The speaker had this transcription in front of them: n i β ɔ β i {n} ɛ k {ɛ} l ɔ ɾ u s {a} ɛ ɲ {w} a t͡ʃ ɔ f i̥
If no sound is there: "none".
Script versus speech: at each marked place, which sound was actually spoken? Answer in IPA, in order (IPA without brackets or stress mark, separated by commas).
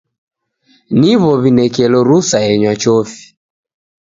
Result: n, ɛ, a, w